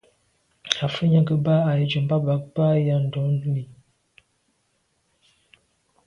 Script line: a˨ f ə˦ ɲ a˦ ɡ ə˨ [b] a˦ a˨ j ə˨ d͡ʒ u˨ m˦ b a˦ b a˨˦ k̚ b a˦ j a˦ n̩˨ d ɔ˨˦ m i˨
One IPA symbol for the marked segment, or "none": b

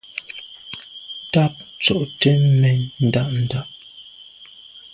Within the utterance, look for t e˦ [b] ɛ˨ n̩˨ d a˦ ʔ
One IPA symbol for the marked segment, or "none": m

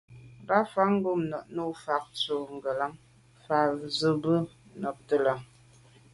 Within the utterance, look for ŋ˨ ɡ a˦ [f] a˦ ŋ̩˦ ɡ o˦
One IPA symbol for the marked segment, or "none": f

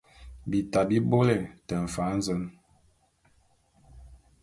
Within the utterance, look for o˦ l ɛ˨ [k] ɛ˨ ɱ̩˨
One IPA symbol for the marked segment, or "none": t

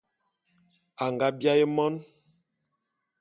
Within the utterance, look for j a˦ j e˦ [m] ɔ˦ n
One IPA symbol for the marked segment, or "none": m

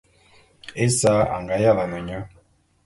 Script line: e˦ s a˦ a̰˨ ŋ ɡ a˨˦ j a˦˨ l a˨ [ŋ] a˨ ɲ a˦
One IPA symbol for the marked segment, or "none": n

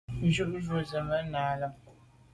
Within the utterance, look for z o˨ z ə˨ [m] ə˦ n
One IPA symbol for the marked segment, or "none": m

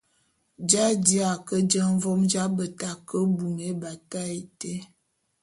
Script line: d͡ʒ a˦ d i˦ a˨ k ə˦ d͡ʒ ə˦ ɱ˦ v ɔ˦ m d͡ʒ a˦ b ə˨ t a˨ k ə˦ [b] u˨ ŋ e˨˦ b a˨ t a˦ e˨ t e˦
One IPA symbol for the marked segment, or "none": b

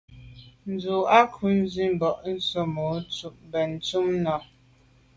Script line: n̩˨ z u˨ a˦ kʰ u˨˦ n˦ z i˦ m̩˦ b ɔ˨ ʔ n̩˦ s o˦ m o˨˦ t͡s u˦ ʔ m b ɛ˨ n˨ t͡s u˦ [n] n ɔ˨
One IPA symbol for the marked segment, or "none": m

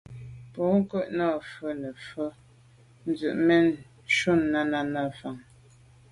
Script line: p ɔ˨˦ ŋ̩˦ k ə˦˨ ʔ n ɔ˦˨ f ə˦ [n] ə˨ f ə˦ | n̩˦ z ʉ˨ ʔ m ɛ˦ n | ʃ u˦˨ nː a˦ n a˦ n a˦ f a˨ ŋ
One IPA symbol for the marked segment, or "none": n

